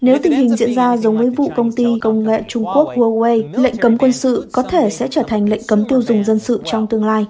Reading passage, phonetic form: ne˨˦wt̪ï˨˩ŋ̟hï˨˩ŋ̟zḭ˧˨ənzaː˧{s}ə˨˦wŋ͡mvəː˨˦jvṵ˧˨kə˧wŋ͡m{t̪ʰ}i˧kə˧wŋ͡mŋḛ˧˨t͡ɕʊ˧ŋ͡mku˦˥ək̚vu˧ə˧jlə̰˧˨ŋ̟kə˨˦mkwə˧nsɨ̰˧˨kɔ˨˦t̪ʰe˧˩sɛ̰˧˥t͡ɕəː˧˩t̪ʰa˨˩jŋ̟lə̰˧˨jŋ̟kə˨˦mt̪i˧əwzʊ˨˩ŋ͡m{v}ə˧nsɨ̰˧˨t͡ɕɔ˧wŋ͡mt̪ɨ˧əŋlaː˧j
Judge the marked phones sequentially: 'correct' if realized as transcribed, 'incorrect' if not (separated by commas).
incorrect, incorrect, incorrect